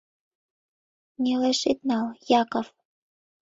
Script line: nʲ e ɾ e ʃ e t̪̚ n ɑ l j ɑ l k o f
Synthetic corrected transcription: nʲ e l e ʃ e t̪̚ n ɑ l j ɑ k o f